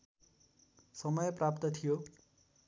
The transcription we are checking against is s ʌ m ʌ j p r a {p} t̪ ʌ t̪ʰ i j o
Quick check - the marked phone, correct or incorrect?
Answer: correct